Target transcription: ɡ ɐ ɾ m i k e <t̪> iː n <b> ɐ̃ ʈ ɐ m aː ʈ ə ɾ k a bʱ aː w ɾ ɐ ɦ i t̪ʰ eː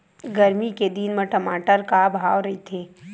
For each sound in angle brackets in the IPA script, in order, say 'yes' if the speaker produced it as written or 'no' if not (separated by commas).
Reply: no, no